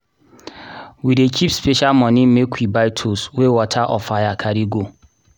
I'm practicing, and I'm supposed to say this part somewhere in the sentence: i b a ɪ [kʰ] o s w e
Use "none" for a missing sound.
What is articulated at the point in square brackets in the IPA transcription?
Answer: tʰ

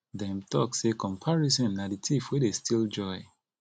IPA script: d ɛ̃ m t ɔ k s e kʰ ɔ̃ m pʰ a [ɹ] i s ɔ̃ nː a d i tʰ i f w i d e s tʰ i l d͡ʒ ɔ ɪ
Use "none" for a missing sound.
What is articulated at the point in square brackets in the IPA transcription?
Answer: ɹ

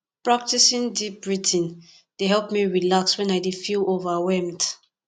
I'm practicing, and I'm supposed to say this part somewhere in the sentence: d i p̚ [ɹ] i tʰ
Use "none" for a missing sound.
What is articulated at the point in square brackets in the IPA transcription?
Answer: ɹ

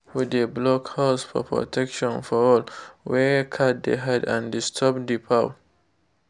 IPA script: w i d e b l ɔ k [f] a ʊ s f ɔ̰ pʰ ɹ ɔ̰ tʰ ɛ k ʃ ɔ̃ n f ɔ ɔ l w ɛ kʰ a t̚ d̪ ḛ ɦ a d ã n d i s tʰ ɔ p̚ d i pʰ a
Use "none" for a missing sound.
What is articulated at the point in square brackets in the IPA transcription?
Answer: h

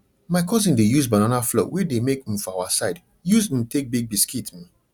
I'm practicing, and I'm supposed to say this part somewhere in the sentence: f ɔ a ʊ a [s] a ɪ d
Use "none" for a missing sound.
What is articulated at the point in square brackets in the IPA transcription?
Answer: s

